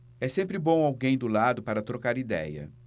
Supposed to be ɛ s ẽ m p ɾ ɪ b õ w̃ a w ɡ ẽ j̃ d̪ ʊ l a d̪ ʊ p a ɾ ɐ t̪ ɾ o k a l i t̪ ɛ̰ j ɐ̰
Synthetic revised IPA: ɛ s ẽ m p ɾ ɪ b õ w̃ a w ɡ ẽ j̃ d̪ ʊ l a d̪ ʊ p a ɾ ɐ t̪ ɾ o k a ɾ i d̪ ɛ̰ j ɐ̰